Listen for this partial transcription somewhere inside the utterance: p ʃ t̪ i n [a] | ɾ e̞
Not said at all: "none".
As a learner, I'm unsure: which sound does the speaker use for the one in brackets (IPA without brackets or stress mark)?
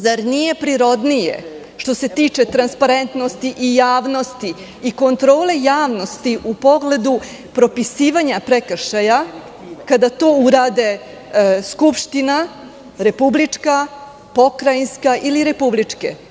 a